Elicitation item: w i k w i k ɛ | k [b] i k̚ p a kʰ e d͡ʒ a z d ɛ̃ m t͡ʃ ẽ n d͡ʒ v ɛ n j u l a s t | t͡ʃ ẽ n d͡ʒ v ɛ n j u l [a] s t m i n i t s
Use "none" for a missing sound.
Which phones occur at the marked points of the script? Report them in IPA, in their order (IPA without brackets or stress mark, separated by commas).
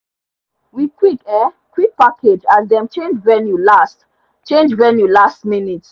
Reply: w, a